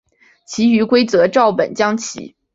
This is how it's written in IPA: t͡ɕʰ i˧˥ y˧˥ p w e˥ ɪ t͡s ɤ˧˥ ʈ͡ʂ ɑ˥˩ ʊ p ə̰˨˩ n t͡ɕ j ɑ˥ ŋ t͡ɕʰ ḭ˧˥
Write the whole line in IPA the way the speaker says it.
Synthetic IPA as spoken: t͡ɕʰ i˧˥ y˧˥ k w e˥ ɪ t͡s ɤ˧˥ ʈ͡ʂ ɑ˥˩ ʊ p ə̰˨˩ n t͡ɕ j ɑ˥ ŋ t͡ɕʰ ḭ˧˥